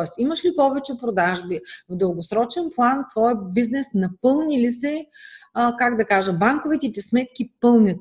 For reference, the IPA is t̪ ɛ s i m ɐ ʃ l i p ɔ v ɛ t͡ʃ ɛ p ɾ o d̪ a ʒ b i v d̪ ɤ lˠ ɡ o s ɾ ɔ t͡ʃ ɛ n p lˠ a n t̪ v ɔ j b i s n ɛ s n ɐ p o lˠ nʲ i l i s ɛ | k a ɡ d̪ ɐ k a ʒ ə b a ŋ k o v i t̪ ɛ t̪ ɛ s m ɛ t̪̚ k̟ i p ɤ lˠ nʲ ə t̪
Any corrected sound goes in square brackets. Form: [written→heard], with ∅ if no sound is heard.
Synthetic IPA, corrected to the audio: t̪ ɛ s i m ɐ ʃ l i p ɔ v ɛ t͡ʃ ɛ p ɾ o d̪ a ʒ b i v d̪ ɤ lˠ ɡ o s ɾ ɔ t͡ʃ ɛ n p lˠ a n t̪ v ɔ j b i [s→z] n ɛ s n ɐ p [o→ɤ] lˠ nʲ i l i s ɛ | k a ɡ d̪ ɐ k a ʒ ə b a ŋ k o v i t̪ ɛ t̪ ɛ s m ɛ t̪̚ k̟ i p ɤ lˠ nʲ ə t̪